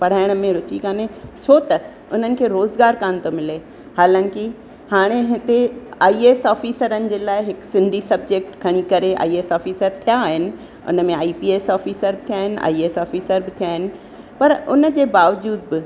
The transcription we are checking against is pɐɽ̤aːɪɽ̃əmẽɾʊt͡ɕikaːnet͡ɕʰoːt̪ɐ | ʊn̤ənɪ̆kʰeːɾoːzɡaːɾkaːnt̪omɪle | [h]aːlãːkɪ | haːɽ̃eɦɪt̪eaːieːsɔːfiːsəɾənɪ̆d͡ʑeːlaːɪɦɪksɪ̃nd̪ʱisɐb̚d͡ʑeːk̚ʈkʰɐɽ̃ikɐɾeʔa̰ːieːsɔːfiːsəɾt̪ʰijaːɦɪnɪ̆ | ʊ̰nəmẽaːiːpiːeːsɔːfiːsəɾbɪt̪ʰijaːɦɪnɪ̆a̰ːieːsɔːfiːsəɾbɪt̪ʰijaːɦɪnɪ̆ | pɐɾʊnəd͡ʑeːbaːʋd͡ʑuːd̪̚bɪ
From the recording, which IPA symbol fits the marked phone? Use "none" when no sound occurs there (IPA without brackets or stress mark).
h